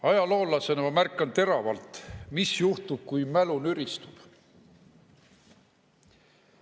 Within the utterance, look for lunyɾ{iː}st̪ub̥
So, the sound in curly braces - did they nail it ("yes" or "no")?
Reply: no